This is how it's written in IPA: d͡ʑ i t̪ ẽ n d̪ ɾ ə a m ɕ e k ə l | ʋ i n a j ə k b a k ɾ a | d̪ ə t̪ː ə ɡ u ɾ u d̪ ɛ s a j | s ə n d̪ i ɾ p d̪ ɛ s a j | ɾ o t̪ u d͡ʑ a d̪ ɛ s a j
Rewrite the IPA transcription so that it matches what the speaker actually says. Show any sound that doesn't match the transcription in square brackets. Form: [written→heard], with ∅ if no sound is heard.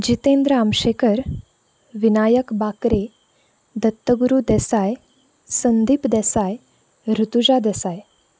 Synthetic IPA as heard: d͡ʑ i t̪ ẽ n d̪ ɾ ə a m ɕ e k ə [l→ɾ] | ʋ i n a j ə k b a k ɾ [a→e] | d̪ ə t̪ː ə ɡ u ɾ u d̪ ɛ s a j | s ə n d̪ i [ɾ→∅] p d̪ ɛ s a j | ɾ [o→u] t̪ u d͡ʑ a d̪ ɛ s a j